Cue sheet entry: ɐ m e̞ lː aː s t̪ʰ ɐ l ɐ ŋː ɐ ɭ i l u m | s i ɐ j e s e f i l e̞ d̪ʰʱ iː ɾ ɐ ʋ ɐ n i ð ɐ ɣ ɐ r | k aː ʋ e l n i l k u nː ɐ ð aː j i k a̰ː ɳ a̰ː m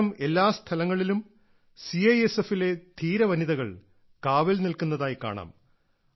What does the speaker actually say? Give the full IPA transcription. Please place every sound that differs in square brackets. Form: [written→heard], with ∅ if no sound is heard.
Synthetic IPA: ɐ m e̞ lː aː s t̪ʰ ɐ l ɐ ŋː ɐ ɭ i l u m | s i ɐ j e s e f i l e̞ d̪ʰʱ iː ɾ ɐ ʋ ɐ n i ð ɐ ɣ ɐ [r→ɭ] | k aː ʋ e l n i l k u nː ɐ ð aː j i k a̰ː ɳ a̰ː m

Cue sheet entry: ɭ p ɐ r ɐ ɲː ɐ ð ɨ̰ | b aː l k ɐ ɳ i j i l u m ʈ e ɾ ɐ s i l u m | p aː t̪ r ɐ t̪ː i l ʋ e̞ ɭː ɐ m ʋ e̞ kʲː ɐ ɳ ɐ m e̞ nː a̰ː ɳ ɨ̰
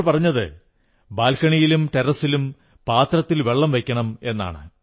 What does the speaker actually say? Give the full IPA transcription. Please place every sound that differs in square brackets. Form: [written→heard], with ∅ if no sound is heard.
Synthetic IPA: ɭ p ɐ r ɐ ɲː ɐ ð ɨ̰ | b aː l k ɐ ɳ i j i l u m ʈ e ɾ ɐ s i l u m | p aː t̪ r ɐ t̪ː i l ʋ e̞ ɭː ɐ m ʋ e̞ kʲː ɐ ɳ ɐ m e̞ nː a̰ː ɳ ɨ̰

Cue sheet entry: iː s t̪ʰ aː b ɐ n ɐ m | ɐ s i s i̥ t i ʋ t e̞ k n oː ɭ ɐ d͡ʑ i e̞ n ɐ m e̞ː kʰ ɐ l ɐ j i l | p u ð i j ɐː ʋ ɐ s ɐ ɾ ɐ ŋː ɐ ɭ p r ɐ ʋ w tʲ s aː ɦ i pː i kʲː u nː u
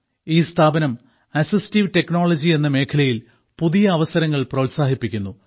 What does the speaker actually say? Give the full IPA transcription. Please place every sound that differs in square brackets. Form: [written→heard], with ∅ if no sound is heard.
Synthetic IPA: iː s t̪ʰ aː b ɐ n ɐ m | ɐ s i s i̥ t i ʋ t e̞ k n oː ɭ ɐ d͡ʑ i e̞ [n→nː] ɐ m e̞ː kʰ ɐ l ɐ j i l | p u ð i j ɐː ʋ ɐ s ɐ ɾ ɐ ŋː ɐ ɭ p r ɐ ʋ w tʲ s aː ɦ i pː i kʲː u nː u

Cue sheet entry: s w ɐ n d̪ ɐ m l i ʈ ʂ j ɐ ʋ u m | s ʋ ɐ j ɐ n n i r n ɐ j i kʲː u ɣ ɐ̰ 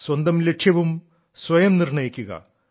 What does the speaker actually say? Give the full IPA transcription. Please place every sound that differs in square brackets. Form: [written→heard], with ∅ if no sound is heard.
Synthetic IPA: s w ɐ n d̪ ɐ m l [i→e] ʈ ʂ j ɐ ʋ u m | s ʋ ɐ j ɐ [n→m] n i r [n→ɳ] ɐ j i kʲː u ɣ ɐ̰

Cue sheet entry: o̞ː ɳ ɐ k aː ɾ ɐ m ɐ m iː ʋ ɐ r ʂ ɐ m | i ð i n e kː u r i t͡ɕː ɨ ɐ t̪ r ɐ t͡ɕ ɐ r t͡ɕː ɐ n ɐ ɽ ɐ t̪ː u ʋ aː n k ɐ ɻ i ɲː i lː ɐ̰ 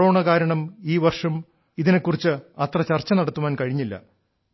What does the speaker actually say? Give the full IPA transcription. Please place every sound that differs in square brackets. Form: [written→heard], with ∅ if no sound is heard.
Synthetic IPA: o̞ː ɳ ɐ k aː ɾ ɐ [m→ɳ] ɐ m iː ʋ ɐ r ʂ ɐ m | i ð i n e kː u r i t͡ɕː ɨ ɐ t̪ r ɐ t͡ɕ ɐ r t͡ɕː ɐ n ɐ ɽ ɐ t̪ː u ʋ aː n k ɐ ɻ i ɲː i lː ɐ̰

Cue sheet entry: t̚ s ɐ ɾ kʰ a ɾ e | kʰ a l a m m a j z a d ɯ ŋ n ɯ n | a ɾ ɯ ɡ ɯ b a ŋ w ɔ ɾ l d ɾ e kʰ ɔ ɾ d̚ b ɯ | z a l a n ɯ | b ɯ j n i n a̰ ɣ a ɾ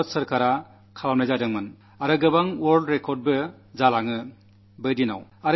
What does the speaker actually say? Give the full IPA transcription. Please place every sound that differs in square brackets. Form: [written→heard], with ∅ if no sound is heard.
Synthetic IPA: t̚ s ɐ ɾ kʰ a ɾ [e→a] | kʰ a l a m [m→n] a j z a d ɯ ŋ [n→m] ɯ n | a ɾ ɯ ɡ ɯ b a ŋ w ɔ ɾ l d ɾ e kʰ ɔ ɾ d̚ b ɯ | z a l a [n→ŋ] ɯ | b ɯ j [n→d] i n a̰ [ɣ→w] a ɾ

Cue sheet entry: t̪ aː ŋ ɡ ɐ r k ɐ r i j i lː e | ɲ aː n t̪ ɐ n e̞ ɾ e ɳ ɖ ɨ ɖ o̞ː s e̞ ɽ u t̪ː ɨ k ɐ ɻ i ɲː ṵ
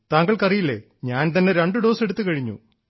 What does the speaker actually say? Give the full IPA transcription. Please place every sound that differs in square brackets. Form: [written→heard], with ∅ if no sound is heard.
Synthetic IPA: t̪ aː ŋ ɡ ɐ [r→ɭ] k ɐ r i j i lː e | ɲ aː n t̪ ɐ [n→nː] e̞ ɾ e ɳ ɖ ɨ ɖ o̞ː s e̞ ɽ u t̪ː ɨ k ɐ ɻ i ɲː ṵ

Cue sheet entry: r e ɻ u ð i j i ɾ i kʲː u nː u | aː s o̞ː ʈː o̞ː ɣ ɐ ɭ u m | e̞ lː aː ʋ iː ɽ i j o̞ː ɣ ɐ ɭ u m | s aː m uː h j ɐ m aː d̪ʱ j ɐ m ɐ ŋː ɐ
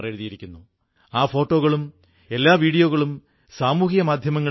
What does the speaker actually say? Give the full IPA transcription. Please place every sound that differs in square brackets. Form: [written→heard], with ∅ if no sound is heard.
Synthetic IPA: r e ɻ u ð i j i ɾ i kʲː u nː u | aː [s→f] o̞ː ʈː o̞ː ɣ ɐ ɭ u m | e̞ lː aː ʋ iː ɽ i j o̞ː ɣ ɐ ɭ u m | s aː m uː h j ɐ m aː d̪ʱ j ɐ m ɐ ŋː ɐ

